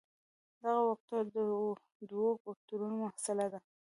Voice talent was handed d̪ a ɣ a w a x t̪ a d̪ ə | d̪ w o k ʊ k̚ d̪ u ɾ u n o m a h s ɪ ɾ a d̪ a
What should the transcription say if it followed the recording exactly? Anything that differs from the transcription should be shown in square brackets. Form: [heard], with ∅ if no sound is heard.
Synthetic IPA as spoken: d̪ a ɣ a w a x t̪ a d̪ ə | d̪ w o k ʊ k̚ [t̪] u ɾ u n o m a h s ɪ [l] a d̪ a